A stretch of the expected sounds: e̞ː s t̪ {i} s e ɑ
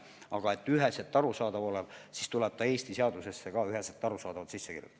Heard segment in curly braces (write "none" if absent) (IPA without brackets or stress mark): i